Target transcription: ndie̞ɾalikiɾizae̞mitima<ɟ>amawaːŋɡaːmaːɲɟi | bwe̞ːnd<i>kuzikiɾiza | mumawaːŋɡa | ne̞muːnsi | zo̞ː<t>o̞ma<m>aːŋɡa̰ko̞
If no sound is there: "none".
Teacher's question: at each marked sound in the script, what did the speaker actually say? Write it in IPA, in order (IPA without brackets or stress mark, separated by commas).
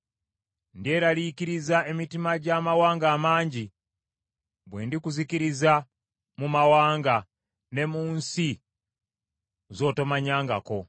ɟ, i, t, ɲ